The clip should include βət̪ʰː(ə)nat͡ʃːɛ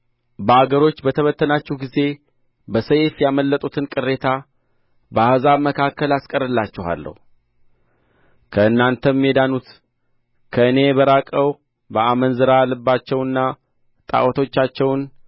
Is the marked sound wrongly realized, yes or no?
no